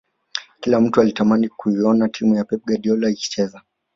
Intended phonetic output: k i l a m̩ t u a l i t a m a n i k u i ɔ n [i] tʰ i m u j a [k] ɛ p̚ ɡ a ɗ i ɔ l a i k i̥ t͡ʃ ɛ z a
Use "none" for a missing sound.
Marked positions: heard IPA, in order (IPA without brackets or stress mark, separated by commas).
a, p